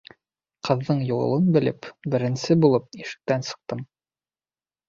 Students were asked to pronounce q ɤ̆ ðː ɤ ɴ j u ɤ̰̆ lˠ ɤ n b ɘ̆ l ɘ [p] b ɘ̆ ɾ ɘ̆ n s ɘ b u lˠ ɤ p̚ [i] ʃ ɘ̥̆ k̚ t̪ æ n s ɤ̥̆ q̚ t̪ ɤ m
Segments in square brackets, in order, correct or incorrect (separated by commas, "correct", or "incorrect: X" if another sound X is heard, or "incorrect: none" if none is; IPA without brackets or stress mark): correct, correct